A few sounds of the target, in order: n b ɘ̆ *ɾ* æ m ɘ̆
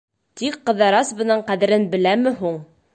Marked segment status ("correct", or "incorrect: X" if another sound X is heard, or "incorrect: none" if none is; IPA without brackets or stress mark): incorrect: l